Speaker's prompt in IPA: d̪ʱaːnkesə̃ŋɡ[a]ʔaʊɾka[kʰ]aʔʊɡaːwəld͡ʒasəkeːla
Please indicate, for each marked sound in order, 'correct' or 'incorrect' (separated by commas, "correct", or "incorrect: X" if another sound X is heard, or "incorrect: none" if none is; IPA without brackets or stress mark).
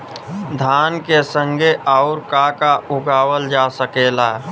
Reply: incorrect: e, incorrect: k